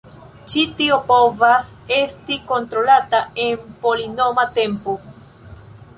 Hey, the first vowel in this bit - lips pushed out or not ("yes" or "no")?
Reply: no